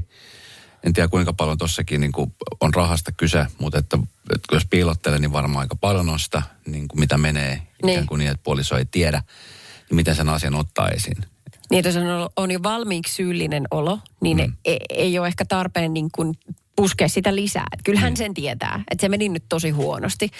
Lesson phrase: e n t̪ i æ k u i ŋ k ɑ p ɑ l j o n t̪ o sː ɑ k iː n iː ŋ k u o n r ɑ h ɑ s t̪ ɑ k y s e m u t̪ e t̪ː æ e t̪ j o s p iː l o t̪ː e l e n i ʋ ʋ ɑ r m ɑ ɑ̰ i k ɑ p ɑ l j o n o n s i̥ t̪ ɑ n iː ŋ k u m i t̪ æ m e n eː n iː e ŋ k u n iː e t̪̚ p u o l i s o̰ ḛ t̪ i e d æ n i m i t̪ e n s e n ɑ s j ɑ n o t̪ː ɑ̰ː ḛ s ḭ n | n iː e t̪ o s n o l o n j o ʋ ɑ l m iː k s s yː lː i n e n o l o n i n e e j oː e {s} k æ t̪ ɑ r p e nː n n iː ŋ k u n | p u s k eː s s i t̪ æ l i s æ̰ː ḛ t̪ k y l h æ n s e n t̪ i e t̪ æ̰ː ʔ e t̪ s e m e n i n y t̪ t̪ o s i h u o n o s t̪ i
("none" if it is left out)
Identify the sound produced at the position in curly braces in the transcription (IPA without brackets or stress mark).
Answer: h